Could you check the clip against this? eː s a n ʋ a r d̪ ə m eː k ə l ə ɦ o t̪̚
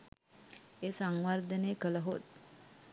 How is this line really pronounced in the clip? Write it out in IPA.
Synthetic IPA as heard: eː s a ŋ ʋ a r d̪ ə n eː k ə l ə ɦ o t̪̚